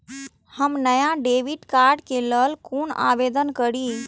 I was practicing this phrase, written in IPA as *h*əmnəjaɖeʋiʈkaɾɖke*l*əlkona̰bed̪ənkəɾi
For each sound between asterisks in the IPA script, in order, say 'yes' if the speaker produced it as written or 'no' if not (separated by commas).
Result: yes, yes